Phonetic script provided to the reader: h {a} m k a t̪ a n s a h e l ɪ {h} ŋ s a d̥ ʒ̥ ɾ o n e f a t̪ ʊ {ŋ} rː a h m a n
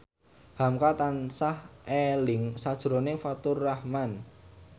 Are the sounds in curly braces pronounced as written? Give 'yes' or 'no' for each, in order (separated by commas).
yes, no, no